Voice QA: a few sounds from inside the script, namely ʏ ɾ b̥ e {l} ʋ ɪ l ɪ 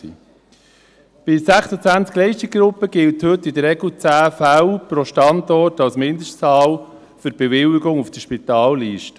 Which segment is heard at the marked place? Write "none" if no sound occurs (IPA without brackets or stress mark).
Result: none